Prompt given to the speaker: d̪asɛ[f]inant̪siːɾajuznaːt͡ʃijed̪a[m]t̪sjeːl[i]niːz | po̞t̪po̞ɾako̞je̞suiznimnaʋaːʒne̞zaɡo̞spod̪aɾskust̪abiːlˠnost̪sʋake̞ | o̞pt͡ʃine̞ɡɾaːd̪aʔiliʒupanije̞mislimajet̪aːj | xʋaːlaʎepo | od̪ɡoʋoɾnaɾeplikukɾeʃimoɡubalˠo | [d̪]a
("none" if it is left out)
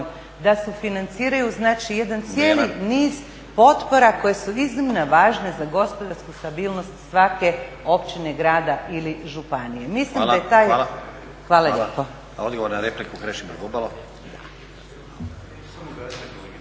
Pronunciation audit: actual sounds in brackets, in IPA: f, n, i, d̪

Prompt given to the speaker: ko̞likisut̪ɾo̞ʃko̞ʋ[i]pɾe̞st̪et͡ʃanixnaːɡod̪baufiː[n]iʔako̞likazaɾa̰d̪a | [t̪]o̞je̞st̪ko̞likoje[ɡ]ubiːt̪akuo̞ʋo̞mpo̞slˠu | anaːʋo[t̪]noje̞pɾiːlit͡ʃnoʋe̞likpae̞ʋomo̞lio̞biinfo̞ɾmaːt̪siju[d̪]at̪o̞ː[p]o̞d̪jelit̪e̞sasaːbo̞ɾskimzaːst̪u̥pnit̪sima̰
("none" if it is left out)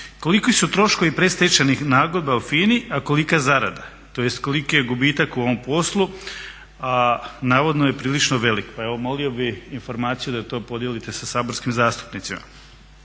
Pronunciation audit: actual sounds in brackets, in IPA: i, n, t̪, ɡ, d̪, d̪, p

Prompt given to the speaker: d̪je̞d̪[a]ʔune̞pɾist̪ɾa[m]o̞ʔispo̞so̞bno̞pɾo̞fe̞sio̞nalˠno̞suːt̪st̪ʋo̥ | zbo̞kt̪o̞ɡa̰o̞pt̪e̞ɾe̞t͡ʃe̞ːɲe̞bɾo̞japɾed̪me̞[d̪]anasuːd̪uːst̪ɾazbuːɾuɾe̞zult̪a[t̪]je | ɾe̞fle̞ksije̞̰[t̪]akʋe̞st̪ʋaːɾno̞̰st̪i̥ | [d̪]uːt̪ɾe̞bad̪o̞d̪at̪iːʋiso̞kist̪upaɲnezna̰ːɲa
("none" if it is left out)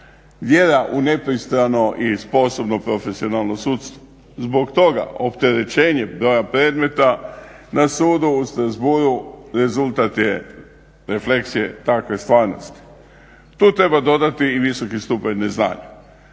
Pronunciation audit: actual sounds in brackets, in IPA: a, n, t̪, t̪, t̪, t̪

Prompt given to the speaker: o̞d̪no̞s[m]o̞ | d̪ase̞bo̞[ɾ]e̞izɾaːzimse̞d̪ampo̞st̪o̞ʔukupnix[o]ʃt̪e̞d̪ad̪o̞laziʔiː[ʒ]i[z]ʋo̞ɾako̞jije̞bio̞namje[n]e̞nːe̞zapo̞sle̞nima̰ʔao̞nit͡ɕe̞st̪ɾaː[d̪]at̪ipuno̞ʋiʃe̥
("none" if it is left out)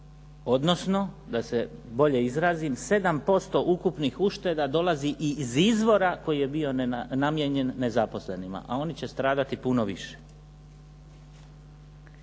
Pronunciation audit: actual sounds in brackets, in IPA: n, ʎ, u, z, z, ɲ, d̪

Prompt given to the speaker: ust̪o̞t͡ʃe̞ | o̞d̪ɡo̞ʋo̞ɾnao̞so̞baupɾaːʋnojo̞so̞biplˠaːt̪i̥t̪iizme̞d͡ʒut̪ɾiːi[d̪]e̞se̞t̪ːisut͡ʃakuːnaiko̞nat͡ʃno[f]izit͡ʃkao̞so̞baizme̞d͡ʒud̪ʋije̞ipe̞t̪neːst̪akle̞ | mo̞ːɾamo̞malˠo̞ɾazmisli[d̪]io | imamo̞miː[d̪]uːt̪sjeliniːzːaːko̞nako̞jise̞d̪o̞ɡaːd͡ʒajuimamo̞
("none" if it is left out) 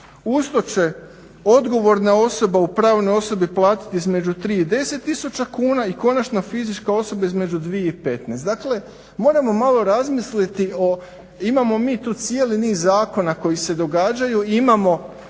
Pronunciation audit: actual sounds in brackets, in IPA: d̪, f, t̪, t̪

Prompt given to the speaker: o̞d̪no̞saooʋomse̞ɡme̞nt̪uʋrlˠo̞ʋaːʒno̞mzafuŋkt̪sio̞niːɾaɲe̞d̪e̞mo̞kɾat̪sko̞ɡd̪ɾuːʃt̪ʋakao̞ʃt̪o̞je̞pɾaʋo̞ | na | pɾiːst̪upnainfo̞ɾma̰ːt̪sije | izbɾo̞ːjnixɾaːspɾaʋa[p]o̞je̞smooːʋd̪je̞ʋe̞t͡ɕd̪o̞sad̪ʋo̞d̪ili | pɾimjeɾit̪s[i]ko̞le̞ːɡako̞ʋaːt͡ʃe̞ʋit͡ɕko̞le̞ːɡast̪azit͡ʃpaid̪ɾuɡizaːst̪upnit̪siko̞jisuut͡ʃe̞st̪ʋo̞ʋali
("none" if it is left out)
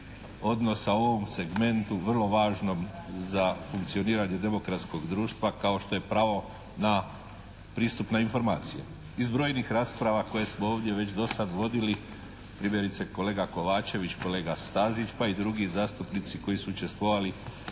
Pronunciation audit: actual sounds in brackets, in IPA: k, e

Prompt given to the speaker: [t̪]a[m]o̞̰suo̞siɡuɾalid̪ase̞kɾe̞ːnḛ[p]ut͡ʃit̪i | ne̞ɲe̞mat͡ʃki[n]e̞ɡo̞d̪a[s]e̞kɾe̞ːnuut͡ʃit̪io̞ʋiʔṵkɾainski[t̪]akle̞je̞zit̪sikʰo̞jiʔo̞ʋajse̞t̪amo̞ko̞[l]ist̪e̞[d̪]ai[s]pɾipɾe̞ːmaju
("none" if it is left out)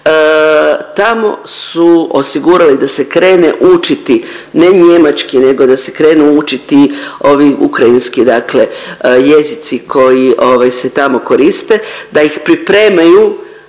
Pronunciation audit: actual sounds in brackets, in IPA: t̪, m, ʔ, n, s, d̪, ɾ, d̪, x

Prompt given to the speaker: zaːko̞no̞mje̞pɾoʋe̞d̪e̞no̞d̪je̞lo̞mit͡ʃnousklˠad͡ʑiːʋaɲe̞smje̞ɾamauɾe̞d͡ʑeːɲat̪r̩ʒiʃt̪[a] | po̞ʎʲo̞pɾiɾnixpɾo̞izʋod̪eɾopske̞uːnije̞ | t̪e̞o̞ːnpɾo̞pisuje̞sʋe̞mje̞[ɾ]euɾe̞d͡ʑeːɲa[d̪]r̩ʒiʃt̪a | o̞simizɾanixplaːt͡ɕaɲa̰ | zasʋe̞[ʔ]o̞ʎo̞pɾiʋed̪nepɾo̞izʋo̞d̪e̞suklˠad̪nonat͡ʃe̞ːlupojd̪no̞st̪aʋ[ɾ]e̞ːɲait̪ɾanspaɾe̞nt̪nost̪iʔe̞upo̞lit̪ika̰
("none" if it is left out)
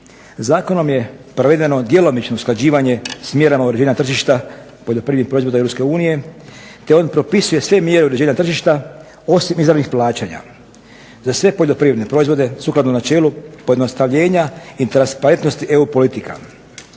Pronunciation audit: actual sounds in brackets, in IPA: a, ɾ, t̪, p, ʎ

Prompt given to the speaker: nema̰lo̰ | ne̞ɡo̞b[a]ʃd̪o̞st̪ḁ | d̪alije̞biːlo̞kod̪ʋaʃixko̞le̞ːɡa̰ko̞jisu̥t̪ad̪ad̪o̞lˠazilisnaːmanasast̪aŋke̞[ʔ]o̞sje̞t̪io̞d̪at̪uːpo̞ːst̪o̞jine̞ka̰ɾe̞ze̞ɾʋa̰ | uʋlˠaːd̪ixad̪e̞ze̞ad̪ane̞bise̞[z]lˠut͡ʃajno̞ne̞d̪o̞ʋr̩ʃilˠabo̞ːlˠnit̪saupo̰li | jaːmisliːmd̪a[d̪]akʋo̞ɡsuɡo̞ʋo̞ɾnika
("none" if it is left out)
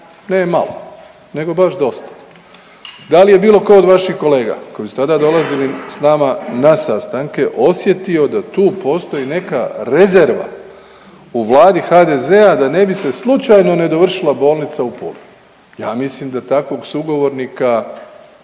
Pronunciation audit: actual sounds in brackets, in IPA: a, ʔ, s, t̪

